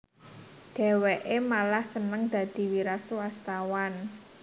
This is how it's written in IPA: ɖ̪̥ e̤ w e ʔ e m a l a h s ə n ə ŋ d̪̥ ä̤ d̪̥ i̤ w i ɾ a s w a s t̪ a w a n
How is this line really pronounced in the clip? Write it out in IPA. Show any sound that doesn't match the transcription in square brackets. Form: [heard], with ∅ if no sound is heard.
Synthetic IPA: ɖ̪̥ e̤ w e ʔ e m a l a h s ə n ə ŋ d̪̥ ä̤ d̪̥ i̤ w i ɾ a s w a s t̪ a w a n

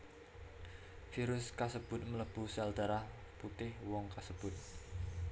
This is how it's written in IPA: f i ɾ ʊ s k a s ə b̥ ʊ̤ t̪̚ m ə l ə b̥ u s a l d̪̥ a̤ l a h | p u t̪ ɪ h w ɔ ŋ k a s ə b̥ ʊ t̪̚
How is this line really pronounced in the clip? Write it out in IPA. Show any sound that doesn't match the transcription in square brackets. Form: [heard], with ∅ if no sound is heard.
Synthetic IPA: f i ɾ ʊ s k a s ə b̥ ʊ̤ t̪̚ m ə l ə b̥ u s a l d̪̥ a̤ [ɾ] a h | p u t̪ ɪ h w ɔ ŋ k a s ə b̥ ʊ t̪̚

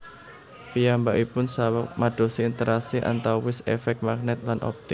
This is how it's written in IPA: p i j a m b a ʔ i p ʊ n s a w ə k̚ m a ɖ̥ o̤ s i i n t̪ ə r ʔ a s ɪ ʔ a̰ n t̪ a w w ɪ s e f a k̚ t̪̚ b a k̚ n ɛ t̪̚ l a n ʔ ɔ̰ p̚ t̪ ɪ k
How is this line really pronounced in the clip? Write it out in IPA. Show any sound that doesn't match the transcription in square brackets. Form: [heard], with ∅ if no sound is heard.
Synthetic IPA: p i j a m b a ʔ i p ʊ n s a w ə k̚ m a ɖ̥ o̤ s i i n t̪ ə [ɾ] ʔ a s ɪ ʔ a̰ n t̪ a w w ɪ s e f [ɛ] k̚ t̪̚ [m] a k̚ n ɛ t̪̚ l a n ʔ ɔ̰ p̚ t̪ ɪ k

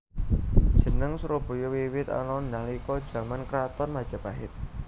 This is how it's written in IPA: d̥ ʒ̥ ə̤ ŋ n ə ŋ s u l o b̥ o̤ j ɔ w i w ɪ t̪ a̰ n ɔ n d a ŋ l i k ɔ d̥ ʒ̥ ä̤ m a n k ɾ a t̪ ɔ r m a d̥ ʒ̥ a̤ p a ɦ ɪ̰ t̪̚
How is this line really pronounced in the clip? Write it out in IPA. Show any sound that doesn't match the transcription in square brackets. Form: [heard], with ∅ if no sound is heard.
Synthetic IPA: d̥ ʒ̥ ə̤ [∅] n ə ŋ s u [ɾ] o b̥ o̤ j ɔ w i w ɪ t̪ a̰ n ɔ n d a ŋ l i k ɔ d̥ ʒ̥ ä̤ m a n k ɾ a t̪ ɔ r m a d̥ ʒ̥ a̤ p a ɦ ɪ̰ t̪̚

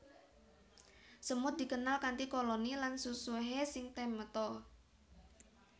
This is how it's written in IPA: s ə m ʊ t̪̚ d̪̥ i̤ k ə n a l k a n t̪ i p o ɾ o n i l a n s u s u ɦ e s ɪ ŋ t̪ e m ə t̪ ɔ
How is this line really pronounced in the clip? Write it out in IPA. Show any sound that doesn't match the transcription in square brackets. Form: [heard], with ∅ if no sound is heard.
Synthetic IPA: s ə m ʊ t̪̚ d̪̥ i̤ k ə n a l k a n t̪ i [k] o [l] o n i l a n s u s u ɦ e s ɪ ŋ t̪ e m ə t̪ ɔ

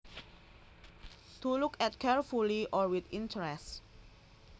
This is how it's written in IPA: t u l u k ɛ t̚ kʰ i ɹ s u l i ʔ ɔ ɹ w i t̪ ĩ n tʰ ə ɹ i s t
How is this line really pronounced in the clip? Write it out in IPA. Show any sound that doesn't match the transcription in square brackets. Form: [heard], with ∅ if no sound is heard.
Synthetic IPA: t u l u k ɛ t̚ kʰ [ɛ] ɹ [f] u l i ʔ ɔ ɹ w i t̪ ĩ n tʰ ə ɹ [ɛ] s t

